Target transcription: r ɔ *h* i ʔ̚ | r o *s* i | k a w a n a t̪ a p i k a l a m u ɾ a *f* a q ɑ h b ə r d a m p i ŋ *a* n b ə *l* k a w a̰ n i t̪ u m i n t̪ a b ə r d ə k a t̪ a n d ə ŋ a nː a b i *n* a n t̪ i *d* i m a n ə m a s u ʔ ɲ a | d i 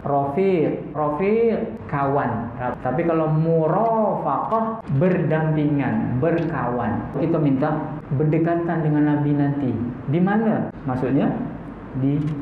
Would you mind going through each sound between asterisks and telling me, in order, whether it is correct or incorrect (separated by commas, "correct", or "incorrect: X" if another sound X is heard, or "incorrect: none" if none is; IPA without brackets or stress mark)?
incorrect: f, incorrect: f, correct, correct, incorrect: r, correct, correct